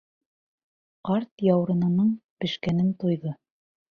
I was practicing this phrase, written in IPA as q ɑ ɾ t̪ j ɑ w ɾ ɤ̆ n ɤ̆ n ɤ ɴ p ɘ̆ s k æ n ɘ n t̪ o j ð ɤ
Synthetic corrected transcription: q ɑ ɾ t̪ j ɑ w ɾ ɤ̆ n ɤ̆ n ɤ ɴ p ɘ̆ ʃ k æ n ɘ n t̪ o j ð ɤ